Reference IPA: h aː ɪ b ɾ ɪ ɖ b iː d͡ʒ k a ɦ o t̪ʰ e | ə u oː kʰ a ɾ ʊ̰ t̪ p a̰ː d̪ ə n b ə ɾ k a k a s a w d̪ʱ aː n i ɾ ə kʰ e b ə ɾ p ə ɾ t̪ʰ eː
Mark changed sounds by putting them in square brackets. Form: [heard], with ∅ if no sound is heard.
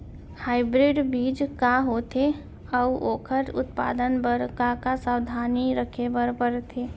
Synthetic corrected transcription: h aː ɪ b ɾ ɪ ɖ b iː d͡ʒ k a ɦ o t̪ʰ e | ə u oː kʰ [ə] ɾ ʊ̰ t̪ p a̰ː d̪ ə n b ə ɾ k a k a s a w d̪ʱ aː n i ɾ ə kʰ e b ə ɾ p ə ɾ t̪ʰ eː